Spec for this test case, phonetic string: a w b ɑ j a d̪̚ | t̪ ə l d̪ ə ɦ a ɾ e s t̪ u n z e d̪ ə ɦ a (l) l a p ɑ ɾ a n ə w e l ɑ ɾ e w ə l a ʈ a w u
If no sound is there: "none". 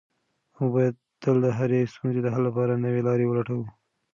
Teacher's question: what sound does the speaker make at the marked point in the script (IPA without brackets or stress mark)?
l